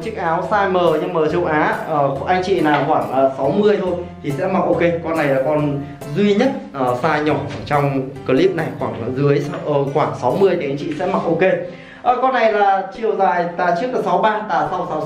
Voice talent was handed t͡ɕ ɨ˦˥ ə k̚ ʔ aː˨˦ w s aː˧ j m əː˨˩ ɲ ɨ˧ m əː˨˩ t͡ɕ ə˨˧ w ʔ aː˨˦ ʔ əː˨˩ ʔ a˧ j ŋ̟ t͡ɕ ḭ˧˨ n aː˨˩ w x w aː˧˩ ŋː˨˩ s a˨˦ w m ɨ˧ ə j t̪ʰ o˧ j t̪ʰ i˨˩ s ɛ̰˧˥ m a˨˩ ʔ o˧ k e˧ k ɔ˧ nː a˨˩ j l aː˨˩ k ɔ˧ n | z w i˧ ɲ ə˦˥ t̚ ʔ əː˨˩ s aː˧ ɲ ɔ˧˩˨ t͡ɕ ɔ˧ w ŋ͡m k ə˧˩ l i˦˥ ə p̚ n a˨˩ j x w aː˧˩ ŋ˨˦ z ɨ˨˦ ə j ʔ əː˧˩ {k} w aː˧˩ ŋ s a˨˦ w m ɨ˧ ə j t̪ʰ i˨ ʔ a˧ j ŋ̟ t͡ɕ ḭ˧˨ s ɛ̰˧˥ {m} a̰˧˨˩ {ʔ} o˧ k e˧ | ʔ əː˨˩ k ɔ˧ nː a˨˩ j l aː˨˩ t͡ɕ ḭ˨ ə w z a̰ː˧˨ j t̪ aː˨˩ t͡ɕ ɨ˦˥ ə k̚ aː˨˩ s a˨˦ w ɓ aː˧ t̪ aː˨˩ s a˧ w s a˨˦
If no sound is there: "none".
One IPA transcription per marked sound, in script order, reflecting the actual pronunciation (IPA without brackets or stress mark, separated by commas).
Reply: x, m, ʔ